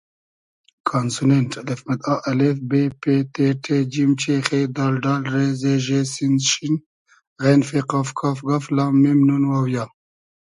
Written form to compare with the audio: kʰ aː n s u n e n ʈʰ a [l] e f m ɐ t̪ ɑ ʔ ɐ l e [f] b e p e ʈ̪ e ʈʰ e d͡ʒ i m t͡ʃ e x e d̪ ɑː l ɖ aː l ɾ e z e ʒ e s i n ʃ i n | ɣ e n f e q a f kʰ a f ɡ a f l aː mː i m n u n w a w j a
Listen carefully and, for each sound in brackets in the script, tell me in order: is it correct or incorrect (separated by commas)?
correct, correct